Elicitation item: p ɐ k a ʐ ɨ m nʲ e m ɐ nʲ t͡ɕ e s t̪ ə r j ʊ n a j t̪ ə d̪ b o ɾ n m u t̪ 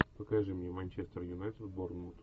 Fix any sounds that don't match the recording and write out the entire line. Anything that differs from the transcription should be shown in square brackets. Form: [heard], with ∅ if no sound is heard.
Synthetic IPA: p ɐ k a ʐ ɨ m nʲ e m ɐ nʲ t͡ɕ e s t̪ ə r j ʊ n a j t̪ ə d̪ b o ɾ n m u t̪

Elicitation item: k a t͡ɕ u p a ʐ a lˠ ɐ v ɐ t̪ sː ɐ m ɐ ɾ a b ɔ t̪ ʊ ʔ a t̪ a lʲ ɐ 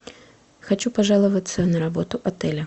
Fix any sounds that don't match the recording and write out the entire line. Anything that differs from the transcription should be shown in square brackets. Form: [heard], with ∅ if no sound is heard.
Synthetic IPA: [x] a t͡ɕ u p a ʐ a lˠ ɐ v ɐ t̪ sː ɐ [n] ɐ ɾ a b ɔ t̪ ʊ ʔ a t̪ [ɛ] lʲ ɐ

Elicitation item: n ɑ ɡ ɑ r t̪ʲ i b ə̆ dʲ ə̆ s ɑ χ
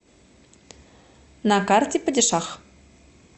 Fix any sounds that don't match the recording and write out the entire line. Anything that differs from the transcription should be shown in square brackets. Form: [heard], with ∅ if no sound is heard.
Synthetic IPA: n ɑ [k] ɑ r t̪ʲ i [p] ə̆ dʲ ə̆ [ʃ] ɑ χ

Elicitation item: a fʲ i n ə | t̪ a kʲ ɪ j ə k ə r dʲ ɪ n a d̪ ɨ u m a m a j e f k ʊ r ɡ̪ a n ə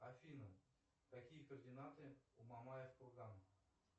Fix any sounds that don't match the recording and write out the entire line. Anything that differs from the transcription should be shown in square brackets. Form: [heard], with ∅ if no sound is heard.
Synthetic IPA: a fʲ i n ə | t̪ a kʲ [i] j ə k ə r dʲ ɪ n a [t̪] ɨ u m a m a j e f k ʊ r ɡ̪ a n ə

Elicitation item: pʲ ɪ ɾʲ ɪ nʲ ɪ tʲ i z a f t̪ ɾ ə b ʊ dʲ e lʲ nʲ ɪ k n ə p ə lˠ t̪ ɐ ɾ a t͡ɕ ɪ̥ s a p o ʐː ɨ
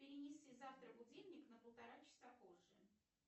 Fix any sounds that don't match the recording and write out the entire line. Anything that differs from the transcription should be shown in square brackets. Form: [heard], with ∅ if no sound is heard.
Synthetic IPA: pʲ ɪ ɾʲ ɪ nʲ ɪ [sʲ] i z a f t̪ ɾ ə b ʊ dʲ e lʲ nʲ ɪ k n ə p ə lˠ t̪ ɐ ɾ a t͡ɕ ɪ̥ s a p o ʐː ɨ

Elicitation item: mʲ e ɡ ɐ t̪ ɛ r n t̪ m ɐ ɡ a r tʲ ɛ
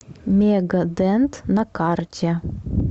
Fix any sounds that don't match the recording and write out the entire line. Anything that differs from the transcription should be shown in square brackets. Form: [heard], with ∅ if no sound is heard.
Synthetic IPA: mʲ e ɡ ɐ [d̪] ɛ [∅] n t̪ [n] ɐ [k] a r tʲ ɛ

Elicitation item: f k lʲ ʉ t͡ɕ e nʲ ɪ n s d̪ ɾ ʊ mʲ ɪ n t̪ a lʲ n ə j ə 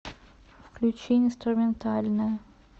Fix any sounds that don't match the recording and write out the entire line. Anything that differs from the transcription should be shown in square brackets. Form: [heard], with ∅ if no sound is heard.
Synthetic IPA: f k lʲ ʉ t͡ɕ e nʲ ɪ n s [t̪] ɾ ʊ mʲ ɪ n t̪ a lʲ n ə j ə

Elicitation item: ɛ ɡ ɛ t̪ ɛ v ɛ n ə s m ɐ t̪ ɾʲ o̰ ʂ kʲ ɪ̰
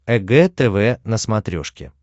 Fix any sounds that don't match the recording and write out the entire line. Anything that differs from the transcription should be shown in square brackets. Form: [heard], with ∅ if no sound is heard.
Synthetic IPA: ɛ ɡ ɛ t̪ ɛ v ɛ n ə s m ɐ t̪ ɾʲ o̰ ʂ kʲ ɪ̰

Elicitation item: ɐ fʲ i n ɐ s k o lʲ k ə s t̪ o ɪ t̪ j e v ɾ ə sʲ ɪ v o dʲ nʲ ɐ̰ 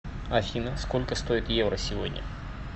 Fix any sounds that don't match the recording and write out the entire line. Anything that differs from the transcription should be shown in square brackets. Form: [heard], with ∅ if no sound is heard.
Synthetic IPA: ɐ fʲ i n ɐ s k o lʲ k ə s t̪ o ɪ t̪ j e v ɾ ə sʲ ɪ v o dʲ nʲ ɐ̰

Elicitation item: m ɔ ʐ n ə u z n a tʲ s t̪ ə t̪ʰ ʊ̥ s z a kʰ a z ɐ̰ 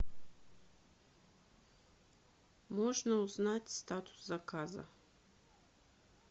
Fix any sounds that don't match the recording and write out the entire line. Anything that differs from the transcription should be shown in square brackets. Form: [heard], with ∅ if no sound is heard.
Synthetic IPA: m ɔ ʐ n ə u z n a tʲ s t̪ [a] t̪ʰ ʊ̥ s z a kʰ a z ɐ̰

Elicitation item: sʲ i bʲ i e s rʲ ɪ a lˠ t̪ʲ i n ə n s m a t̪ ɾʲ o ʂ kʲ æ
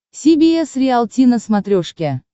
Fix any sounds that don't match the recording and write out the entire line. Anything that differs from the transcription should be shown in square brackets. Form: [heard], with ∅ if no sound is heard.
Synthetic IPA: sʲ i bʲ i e s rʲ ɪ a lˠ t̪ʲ i n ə [∅] s m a t̪ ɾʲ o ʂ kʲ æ

